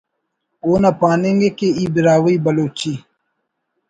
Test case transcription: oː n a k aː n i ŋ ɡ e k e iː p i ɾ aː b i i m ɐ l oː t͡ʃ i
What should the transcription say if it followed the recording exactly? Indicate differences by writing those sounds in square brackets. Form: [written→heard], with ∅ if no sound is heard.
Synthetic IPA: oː n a [k→p] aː n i ŋ ɡ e k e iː [p→b] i ɾ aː [b→w] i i [m→b] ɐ l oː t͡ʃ i